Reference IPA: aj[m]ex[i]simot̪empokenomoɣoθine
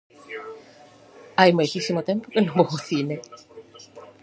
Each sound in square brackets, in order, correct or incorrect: correct, correct

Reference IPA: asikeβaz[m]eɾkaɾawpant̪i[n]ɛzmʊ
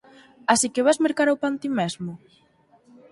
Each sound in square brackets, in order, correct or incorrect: correct, incorrect: m

